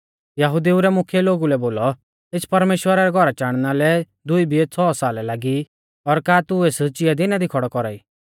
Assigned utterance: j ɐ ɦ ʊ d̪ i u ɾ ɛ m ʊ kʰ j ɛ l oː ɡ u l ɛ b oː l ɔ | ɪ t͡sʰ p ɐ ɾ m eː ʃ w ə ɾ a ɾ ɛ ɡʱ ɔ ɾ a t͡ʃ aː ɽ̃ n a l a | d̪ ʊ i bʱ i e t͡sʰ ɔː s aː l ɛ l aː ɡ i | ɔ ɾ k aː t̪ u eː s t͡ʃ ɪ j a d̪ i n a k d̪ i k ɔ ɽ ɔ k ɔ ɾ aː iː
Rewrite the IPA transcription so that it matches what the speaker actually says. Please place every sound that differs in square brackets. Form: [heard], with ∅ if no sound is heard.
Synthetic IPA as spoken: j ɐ ɦ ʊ d̪ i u ɾ ɛ m ʊ kʰ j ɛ l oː ɡ u l ɛ b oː l ɔ | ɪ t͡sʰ p ɐ ɾ m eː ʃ w ə ɾ a ɾ ɛ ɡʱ ɔ ɾ a t͡ʃ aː ɽ̃ n a l [ɛ] | d̪ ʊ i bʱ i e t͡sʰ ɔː s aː l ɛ l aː ɡ i | ɔ ɾ k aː t̪ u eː s t͡ʃ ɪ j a d̪ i n a [∅] d̪ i [kʰ] ɔ ɽ ɔ k ɔ ɾ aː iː